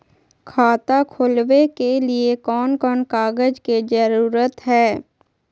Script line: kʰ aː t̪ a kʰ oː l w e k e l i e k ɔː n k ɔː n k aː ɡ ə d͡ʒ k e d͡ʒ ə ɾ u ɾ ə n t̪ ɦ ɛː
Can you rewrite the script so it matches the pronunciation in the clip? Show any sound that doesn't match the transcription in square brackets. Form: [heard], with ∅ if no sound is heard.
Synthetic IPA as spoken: kʰ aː t̪ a kʰ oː l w e k e l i e k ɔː n k ɔː n k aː ɡ ə d͡ʒ k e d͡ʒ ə ɾ [uː] ɾ ə [∅] t̪ ɦ ɛː